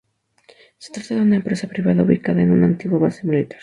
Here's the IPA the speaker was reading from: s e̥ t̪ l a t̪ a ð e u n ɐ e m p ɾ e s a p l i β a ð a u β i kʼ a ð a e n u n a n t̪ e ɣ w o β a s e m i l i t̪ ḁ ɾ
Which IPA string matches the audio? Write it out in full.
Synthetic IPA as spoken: s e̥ t̪ ɾ a t̪ a ð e u n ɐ e m p ɾ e s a p ɾ i β a ð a u β i k a ð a e n u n a n t̪ i ɣ w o β a s e m i l i t̪ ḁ ɾ